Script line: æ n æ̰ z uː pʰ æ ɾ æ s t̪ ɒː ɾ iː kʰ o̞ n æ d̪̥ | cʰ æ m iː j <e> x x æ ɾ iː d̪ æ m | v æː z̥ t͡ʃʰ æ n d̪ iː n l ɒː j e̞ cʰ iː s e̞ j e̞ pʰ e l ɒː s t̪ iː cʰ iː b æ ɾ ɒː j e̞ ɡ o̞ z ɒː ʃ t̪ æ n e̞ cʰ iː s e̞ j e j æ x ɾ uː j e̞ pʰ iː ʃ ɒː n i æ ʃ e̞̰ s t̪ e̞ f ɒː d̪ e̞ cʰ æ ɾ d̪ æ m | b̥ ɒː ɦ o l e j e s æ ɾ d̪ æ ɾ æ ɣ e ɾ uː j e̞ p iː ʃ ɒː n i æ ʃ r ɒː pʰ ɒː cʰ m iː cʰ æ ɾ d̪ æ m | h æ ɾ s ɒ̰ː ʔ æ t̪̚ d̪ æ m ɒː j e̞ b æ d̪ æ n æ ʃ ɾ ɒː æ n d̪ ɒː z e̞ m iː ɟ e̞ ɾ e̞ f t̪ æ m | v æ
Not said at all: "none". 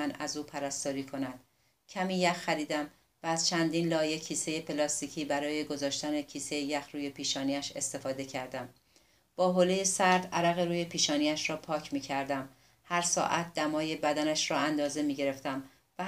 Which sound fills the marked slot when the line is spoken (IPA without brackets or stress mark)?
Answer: æ